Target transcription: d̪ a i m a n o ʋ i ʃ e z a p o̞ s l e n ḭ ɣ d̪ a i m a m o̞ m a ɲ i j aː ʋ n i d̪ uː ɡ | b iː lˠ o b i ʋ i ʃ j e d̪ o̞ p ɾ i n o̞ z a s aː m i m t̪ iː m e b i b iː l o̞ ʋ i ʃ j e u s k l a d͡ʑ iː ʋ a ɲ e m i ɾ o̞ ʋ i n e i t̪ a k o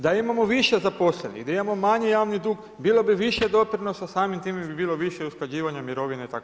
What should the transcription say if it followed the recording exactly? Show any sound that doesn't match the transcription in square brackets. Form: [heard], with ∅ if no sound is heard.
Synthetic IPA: d̪ a i m a [m] o ʋ i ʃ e z a p o̞ s l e n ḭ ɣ d̪ a i m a m o̞ m a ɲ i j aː ʋ n i d̪ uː ɡ | b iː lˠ o b i ʋ i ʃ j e d̪ o̞ p ɾ i n o̞ [s] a s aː m i m t̪ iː m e b i b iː l o̞ ʋ i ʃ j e u s k l a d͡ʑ iː ʋ a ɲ [a] m i ɾ o̞ ʋ i n e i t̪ a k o